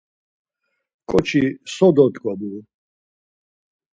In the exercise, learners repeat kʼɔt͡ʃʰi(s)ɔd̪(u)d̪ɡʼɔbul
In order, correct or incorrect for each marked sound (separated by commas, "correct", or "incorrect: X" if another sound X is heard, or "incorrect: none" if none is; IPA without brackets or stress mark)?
correct, incorrect: ɔ